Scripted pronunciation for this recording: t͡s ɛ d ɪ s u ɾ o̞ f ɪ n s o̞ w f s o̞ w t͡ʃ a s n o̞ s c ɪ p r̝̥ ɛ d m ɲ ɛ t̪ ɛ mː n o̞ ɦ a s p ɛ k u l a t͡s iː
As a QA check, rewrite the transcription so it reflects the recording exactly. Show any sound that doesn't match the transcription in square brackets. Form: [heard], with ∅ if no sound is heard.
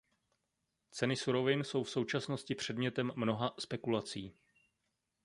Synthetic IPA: t͡s ɛ [n] ɪ s u ɾ o̞ [v] ɪ n s o̞ w f s o̞ w t͡ʃ a s n o̞ s c ɪ p r̝̥ ɛ d m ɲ ɛ t̪ ɛ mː n o̞ ɦ a s p ɛ k u l a t͡s iː